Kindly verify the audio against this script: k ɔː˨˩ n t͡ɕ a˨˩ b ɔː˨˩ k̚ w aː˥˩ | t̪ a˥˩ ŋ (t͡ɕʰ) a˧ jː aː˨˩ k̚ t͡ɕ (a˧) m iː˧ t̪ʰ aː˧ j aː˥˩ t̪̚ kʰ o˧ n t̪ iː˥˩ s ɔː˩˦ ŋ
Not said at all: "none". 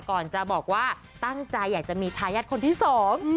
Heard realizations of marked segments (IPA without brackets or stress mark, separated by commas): t͡ɕ, a˨˩